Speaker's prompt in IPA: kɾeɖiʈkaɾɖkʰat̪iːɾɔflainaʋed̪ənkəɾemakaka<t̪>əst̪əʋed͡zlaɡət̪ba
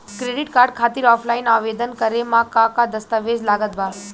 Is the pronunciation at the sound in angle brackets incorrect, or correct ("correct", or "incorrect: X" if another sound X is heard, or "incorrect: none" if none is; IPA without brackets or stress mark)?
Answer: incorrect: d̪